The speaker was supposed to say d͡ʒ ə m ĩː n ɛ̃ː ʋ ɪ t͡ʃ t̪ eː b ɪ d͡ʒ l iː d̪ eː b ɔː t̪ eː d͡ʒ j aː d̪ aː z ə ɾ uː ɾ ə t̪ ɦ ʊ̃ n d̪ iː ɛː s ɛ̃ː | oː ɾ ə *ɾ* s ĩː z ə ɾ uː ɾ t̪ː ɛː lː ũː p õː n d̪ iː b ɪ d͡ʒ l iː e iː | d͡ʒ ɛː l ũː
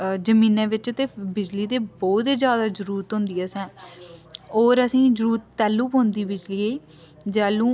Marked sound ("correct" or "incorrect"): incorrect